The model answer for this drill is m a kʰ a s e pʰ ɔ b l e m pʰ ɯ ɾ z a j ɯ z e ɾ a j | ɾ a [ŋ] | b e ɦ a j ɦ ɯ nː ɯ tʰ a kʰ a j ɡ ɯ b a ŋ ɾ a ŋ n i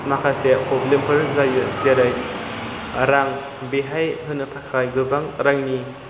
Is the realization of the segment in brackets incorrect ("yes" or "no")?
no